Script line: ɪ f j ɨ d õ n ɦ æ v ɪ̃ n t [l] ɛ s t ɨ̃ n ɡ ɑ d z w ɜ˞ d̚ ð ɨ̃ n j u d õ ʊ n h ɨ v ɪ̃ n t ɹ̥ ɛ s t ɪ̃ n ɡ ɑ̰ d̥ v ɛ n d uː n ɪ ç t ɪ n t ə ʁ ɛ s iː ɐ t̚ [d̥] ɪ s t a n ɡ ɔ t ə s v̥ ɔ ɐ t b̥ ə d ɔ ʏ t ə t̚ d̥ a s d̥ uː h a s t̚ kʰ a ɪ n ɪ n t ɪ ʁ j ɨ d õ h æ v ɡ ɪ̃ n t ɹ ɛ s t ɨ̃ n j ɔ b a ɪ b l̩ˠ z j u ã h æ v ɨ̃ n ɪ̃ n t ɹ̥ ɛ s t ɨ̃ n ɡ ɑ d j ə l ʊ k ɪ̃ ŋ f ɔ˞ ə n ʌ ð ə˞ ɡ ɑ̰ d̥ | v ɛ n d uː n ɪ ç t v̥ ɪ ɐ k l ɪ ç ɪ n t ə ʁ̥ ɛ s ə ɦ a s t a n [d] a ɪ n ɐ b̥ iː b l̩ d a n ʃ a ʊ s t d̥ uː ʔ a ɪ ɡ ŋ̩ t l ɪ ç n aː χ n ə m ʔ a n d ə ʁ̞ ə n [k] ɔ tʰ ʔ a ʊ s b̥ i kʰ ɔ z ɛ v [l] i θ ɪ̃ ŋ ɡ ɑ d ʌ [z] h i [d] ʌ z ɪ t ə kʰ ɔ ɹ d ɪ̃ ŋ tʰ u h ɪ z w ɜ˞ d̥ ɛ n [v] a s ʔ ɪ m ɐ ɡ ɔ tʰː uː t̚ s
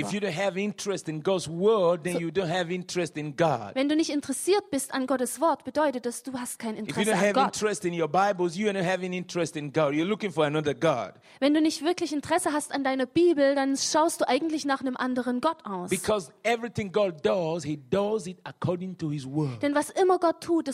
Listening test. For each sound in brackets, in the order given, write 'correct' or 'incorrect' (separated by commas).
incorrect, incorrect, correct, incorrect, incorrect, correct, correct, correct